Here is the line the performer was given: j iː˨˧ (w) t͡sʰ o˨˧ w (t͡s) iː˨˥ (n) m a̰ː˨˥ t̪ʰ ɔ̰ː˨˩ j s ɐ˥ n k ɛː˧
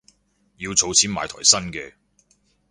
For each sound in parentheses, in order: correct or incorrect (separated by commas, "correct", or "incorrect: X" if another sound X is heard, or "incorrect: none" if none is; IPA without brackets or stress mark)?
correct, incorrect: t͡sʰ, correct